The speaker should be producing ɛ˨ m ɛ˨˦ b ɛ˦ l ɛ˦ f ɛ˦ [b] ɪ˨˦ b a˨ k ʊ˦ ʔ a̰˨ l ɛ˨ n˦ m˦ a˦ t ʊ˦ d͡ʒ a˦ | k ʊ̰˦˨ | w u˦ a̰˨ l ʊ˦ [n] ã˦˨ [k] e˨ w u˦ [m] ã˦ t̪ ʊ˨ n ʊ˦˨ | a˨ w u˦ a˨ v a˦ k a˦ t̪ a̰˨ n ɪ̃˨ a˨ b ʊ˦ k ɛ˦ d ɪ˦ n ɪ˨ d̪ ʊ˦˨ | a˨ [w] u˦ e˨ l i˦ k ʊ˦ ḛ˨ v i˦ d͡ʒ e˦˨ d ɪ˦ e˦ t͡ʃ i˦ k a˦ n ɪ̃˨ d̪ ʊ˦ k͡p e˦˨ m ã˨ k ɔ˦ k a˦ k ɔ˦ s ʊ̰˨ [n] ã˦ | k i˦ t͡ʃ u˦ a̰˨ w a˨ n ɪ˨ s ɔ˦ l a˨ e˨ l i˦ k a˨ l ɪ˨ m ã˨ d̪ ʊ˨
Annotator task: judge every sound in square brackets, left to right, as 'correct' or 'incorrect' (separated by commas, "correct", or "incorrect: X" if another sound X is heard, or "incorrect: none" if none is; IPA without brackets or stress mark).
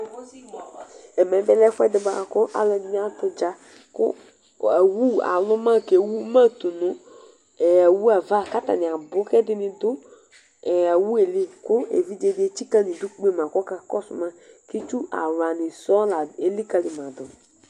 incorrect: d, incorrect: m, correct, correct, correct, incorrect: m